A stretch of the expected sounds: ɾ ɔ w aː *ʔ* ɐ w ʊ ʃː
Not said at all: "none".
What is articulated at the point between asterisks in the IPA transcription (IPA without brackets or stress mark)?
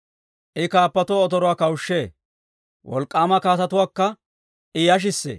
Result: k